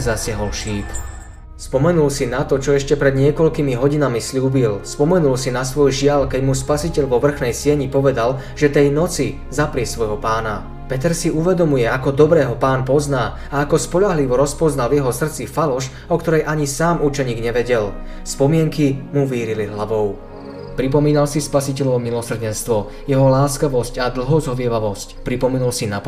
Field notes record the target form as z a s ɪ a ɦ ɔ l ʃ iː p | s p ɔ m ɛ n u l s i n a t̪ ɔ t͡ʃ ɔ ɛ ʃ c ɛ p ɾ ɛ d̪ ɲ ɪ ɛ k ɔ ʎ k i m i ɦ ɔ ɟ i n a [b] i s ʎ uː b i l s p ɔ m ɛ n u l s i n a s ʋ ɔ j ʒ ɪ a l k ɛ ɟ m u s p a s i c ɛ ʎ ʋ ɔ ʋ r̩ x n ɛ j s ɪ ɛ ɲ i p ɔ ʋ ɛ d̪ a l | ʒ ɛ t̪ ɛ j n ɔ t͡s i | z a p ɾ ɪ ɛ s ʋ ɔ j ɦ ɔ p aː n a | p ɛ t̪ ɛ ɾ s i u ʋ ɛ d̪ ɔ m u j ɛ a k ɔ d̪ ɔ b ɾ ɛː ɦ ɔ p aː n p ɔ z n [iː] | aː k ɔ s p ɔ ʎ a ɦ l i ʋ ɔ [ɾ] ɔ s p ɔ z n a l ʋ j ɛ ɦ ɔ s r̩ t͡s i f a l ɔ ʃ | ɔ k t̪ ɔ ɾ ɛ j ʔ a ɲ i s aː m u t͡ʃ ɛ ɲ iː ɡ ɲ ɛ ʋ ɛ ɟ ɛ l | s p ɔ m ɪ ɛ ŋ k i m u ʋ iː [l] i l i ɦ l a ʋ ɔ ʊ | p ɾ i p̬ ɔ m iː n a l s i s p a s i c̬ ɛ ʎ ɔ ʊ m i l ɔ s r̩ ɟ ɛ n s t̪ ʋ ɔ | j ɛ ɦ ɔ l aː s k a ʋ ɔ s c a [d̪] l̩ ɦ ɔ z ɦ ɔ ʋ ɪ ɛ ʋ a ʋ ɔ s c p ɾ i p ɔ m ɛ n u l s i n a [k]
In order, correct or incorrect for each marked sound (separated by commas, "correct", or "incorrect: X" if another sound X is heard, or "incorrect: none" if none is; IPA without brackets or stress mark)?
incorrect: m, incorrect: aː, correct, incorrect: ɾ, correct, incorrect: p